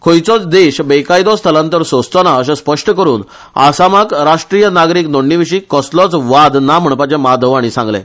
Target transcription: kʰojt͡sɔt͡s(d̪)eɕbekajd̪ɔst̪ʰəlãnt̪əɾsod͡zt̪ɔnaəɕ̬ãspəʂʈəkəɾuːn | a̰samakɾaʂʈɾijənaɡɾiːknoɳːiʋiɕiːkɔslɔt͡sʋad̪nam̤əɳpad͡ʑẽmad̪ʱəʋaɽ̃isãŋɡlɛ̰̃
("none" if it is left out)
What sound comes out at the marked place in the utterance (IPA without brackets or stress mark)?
d̪